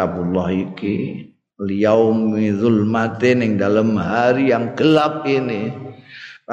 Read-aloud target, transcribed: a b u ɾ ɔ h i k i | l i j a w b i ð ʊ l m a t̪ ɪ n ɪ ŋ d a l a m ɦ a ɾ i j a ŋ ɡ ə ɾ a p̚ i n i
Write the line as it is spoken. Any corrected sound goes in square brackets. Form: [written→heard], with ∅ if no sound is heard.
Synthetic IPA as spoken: a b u [ɾ→l] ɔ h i k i | l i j a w [b→m] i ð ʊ l m a t̪ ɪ n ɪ ŋ d a l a m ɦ a ɾ i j a ŋ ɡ ə [ɾ→l] a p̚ i n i